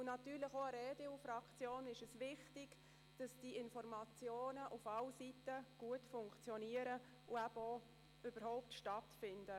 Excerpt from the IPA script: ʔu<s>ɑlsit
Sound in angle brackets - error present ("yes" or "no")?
yes